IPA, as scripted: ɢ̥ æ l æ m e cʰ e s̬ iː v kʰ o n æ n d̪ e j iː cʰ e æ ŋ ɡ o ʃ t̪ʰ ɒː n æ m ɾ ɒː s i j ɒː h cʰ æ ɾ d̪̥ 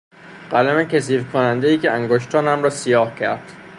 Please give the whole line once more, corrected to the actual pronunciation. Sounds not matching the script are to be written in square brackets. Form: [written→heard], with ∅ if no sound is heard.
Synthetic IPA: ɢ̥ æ l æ m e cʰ e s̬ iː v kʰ o n æ n d̪ e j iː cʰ e æ ŋ ɡ o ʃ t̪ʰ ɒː n æ m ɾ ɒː s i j ɒː h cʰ æ ɾ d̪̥